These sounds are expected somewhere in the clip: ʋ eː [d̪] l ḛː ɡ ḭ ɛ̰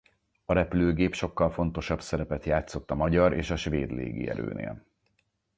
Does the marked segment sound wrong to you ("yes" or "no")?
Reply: no